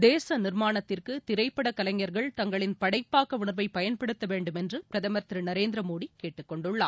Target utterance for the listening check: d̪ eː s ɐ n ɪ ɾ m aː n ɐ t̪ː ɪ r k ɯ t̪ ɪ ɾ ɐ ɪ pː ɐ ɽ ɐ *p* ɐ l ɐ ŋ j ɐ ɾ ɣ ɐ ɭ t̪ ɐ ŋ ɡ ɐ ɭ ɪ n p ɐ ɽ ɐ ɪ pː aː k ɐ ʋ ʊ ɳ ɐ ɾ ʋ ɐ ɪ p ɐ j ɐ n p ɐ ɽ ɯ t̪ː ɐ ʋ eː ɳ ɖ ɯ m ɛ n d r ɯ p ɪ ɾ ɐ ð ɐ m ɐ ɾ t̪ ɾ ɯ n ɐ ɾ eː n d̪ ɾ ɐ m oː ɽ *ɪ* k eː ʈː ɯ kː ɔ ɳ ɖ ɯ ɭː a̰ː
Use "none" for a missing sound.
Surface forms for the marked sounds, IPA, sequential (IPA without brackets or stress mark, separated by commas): k, i